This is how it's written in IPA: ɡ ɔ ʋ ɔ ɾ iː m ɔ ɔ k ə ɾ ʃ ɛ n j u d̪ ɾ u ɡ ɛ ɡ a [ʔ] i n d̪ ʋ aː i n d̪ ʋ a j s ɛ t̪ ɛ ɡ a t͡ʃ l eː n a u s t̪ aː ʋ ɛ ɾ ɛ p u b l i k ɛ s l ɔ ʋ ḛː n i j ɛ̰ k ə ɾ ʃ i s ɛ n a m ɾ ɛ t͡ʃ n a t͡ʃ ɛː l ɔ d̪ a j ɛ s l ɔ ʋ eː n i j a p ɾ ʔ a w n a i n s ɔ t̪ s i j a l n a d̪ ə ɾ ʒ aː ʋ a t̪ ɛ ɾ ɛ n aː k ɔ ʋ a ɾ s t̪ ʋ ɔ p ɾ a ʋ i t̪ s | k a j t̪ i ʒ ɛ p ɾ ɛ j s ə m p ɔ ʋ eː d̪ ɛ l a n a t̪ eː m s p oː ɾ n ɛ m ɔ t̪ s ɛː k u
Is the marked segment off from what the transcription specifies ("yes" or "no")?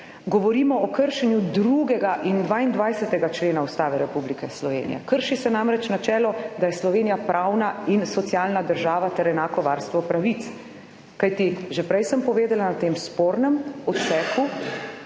no